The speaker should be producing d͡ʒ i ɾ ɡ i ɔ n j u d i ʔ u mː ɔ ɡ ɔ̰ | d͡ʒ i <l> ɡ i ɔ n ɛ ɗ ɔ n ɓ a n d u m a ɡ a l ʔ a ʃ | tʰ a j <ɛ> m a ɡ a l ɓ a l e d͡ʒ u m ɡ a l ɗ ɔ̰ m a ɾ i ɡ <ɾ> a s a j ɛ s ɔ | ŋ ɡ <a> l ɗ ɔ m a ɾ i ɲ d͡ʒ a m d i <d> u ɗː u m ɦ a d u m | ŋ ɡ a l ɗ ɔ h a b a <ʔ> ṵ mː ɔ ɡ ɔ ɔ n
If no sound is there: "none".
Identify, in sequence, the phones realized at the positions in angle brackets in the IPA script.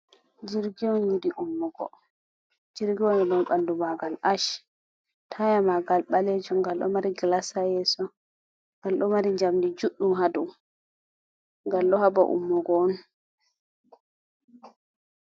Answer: ɾ, a, l, a, d͡ʒ, ʔ

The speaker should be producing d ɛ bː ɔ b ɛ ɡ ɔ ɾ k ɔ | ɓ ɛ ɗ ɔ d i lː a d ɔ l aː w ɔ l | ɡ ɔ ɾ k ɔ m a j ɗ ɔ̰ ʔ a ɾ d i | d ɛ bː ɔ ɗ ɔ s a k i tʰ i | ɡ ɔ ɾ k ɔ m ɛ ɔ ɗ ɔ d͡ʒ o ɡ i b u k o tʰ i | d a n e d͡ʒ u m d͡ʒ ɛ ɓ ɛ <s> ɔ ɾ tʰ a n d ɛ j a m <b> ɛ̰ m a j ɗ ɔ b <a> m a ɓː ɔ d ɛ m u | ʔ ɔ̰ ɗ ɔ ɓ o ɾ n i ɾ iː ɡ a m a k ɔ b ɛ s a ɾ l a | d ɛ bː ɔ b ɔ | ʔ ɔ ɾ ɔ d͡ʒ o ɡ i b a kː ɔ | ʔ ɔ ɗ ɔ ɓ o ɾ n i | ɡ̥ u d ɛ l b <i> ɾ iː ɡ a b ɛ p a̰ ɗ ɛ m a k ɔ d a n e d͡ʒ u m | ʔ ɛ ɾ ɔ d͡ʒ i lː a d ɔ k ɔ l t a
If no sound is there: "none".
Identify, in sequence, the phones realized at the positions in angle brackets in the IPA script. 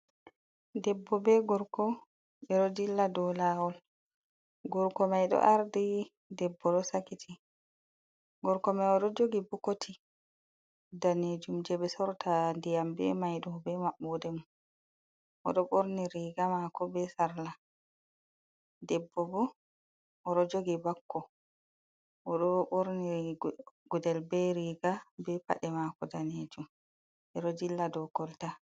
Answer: s, b, ɛ, ɛ

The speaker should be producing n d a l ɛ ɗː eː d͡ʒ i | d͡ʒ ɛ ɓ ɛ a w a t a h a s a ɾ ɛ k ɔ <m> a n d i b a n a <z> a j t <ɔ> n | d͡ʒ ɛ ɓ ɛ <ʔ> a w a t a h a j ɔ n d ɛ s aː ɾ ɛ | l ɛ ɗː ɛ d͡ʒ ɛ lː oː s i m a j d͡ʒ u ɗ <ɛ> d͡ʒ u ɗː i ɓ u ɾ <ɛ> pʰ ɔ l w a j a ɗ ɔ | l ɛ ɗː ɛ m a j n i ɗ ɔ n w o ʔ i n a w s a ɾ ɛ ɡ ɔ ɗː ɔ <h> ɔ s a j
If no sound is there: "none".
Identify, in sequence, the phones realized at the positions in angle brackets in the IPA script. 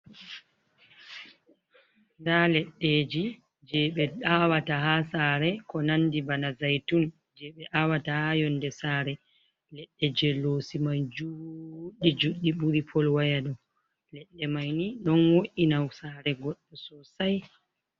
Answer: n, z, u, ʔ, i, i, s

